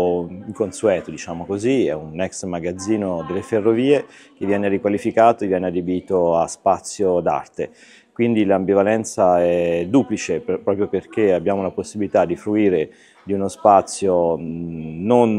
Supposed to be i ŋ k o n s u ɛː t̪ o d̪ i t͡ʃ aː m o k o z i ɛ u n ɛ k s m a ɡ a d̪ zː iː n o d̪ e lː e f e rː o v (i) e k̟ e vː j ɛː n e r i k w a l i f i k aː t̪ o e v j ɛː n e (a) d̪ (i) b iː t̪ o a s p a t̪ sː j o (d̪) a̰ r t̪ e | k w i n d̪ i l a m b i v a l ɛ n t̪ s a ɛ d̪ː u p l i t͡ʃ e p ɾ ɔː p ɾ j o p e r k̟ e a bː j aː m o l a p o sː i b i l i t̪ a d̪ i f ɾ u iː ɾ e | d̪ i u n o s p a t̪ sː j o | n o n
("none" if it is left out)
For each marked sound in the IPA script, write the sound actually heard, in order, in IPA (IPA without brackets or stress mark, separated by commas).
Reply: iː, a, e, d̪